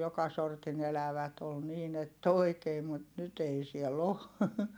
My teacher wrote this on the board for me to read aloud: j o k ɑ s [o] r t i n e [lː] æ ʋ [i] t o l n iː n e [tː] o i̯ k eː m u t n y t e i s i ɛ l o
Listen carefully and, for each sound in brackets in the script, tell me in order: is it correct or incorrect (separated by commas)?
correct, incorrect, incorrect, correct